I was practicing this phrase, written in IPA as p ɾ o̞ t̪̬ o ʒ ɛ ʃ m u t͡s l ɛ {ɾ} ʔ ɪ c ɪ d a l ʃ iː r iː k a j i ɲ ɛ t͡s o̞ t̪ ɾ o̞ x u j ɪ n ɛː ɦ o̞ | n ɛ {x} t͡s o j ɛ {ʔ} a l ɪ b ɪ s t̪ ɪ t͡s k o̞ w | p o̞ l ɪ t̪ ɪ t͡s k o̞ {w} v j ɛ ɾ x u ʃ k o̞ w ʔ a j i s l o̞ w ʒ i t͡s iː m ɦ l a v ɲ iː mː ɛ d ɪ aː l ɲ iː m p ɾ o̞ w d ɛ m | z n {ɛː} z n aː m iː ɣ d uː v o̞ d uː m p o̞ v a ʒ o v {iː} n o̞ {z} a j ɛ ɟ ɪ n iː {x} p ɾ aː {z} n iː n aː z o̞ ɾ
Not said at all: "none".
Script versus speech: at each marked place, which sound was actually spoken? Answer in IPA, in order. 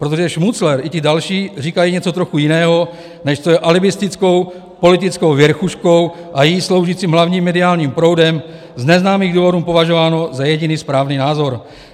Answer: ɾ, ʃ, ʔ, w, ɛ, aː, z, s, v

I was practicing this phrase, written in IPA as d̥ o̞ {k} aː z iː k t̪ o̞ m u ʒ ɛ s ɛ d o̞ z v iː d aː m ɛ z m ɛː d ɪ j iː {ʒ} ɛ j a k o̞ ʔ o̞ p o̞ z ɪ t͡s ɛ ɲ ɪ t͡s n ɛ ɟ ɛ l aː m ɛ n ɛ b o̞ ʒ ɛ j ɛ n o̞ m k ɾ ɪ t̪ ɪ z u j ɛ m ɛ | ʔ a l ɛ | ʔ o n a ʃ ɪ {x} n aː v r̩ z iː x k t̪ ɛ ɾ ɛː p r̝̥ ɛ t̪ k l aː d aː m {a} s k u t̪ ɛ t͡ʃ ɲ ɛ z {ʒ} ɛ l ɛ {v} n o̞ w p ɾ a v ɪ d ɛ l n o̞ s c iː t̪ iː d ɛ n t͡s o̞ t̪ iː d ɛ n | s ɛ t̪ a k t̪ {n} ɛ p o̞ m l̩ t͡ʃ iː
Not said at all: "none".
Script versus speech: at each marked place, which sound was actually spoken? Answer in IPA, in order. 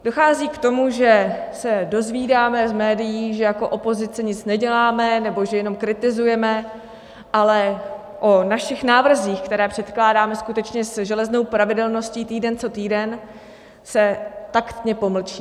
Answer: x, ʒ, x, ɛ, ʒ, z, ɲ

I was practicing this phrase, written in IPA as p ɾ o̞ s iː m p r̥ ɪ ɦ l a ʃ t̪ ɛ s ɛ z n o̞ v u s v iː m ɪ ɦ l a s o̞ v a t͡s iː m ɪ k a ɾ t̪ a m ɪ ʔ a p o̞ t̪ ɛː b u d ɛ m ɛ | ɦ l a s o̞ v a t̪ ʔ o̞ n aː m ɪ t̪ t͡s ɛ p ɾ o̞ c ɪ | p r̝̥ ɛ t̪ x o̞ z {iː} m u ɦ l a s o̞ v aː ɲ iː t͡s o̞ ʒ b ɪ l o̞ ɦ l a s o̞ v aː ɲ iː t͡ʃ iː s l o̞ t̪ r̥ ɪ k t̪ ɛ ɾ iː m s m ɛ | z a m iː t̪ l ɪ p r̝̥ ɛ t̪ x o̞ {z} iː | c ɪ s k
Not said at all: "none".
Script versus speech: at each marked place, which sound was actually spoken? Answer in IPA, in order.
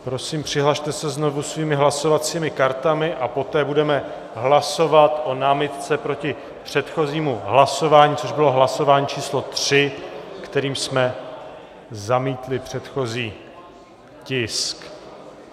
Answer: iː, z

